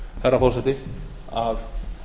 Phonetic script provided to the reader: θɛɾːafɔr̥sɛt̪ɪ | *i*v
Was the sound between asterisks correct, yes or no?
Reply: no